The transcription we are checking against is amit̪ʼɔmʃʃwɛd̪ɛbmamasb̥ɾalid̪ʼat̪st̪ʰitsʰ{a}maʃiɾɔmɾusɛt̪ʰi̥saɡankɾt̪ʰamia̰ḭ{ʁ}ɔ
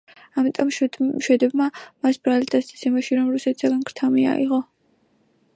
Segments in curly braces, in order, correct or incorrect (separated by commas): incorrect, correct